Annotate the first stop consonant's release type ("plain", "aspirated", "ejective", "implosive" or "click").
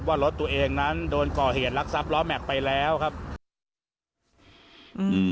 plain